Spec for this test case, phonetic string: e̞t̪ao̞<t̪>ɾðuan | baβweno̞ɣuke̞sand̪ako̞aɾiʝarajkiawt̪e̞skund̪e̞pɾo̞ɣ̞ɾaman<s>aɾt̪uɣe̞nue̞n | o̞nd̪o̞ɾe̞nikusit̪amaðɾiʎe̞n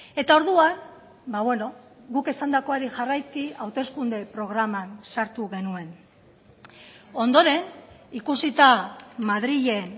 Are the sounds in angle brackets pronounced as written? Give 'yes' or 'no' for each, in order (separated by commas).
no, yes